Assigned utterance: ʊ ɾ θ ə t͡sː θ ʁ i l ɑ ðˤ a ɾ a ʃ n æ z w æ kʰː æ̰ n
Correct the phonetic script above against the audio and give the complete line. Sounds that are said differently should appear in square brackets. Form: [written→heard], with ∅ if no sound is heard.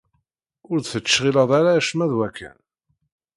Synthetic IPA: ʊ ɾ θ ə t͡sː [θ→ʃ] ʁ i l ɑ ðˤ a ɾ a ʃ [n→m] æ [z→ð] w æ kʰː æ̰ n